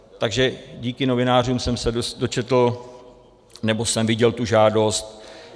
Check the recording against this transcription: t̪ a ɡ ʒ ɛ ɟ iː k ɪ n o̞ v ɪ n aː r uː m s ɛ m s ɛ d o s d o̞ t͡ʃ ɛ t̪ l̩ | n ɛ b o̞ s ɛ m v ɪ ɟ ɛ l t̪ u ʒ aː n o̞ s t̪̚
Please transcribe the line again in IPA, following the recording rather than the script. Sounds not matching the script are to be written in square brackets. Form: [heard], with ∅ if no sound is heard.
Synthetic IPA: t̪ a ɡ ʒ ɛ ɟ iː k ɪ n o̞ v ɪ n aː r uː m s ɛ m s ɛ d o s d o̞ t͡ʃ ɛ t̪ l̩ | n ɛ b o̞ s ɛ m v ɪ ɟ ɛ l t̪ u ʒ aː [d] o̞ s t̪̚